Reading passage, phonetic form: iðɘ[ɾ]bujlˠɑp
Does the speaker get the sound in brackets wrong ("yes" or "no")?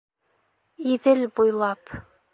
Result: yes